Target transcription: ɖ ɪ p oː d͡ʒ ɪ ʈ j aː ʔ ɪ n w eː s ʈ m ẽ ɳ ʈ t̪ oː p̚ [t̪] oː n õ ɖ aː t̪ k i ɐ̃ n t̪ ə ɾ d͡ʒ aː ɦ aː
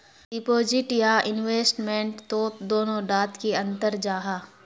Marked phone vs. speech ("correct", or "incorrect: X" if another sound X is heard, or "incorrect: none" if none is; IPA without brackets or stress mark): incorrect: d̪